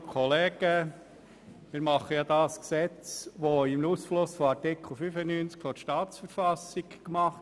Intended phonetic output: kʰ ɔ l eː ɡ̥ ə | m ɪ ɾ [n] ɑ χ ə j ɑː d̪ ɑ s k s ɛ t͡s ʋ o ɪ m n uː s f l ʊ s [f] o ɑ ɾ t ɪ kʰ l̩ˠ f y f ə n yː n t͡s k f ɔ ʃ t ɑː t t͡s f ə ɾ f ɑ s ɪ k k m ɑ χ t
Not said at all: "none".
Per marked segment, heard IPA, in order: m, f

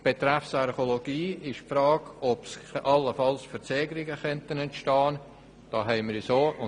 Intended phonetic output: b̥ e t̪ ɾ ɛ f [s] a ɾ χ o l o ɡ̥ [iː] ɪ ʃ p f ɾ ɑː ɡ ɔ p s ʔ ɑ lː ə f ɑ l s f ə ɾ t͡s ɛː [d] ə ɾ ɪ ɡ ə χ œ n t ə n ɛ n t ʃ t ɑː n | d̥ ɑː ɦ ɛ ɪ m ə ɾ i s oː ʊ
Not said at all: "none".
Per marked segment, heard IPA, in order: s, iː, ɡ

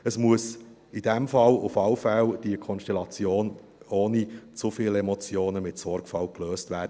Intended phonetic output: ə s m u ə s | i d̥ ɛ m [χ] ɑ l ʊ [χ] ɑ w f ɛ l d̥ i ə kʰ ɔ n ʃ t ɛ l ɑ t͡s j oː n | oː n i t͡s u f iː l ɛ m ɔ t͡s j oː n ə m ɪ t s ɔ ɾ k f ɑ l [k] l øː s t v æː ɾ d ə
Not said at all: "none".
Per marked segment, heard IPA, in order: f, f, k

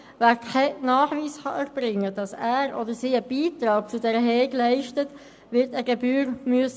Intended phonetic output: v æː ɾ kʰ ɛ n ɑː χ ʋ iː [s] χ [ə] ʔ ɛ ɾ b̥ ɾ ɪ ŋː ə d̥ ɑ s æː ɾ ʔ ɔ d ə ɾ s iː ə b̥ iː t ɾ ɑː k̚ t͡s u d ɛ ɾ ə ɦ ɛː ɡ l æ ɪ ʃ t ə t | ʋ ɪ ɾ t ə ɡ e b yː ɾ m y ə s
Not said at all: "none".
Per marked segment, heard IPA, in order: s, ɑ

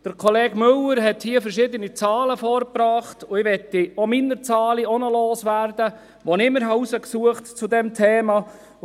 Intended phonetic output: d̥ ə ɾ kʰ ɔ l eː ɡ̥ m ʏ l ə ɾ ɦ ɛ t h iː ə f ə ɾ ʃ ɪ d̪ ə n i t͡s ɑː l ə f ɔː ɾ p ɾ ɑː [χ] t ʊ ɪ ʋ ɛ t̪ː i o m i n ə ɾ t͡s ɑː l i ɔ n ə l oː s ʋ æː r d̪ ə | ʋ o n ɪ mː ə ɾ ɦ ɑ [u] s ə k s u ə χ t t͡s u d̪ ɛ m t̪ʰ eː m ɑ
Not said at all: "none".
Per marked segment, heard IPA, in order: χ, u

